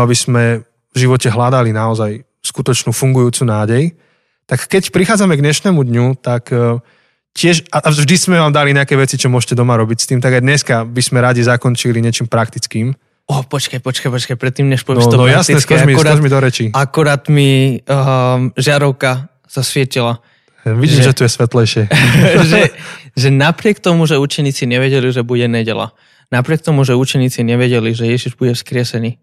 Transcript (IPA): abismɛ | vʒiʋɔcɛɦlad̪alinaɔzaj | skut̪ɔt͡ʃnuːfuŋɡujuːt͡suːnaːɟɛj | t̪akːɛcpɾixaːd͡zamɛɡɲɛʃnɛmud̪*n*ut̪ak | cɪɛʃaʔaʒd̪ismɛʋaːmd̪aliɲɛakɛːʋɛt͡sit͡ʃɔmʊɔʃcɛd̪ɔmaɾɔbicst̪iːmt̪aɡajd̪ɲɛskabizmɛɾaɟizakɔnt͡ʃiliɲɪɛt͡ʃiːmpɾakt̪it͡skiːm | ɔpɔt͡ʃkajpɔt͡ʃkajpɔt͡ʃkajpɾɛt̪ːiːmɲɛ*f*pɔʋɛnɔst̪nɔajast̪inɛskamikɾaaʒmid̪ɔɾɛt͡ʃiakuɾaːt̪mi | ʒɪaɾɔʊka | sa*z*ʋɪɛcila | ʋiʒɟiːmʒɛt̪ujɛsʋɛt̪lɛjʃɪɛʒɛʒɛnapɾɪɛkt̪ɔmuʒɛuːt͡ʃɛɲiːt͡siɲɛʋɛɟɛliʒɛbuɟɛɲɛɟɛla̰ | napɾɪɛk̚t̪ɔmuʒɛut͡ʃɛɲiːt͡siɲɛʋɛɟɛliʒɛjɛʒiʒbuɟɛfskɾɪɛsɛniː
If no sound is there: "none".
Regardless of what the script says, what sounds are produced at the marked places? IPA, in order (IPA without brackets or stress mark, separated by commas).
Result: ɲ, ʃ, s